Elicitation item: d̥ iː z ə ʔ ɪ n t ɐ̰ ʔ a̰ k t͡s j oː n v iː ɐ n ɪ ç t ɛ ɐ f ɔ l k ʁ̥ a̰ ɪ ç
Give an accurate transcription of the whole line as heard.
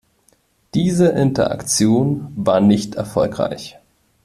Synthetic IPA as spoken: d̥ iː z ə ʔ ɪ n t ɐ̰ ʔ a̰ k t͡s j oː n v aː ɐ n ɪ ç t ɛ ɐ f ɔ l k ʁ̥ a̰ ɪ ç